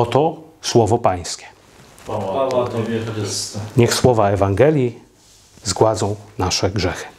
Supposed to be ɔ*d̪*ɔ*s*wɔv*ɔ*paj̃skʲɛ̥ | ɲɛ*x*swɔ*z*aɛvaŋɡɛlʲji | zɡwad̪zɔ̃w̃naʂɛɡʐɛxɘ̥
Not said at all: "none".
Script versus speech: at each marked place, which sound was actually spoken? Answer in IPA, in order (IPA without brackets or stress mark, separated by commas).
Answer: t̪, s, ɔ, x, v